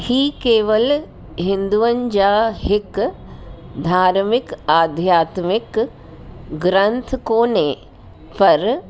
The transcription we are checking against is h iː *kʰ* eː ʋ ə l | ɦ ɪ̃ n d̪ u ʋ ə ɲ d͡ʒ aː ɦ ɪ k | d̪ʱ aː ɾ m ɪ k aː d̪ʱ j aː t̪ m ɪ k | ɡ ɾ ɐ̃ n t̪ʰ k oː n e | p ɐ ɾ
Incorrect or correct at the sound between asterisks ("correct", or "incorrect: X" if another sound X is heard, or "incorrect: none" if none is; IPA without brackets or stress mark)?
incorrect: k